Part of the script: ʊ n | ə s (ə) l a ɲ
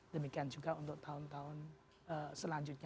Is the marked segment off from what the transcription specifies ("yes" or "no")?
no